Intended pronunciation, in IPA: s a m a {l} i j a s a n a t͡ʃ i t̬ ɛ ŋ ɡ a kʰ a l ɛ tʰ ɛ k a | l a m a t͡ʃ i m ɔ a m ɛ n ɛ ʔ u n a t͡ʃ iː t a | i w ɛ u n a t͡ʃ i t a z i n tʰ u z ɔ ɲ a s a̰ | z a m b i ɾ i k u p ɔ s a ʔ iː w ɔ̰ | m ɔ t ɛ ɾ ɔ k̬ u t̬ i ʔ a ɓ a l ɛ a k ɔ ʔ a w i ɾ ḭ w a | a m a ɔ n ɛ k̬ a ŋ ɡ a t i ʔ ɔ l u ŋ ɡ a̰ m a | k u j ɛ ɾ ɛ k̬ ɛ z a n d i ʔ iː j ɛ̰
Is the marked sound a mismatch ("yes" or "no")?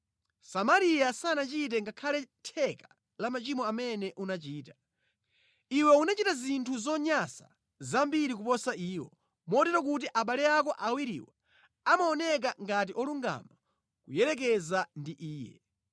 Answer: yes